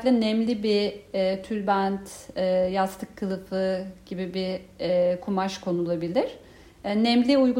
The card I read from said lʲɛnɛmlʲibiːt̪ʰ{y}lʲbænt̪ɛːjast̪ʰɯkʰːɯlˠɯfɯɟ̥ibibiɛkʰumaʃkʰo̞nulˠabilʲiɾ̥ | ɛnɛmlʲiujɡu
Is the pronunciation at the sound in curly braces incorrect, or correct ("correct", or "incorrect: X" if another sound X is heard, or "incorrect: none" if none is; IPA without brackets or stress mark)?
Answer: correct